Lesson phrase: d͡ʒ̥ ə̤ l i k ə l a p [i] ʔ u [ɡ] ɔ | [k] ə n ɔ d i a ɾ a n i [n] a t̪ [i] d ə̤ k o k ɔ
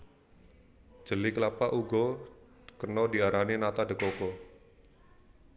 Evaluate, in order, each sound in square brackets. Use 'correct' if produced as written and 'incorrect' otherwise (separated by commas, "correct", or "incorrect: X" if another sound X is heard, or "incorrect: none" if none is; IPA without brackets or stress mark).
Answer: incorrect: a, correct, correct, correct, incorrect: a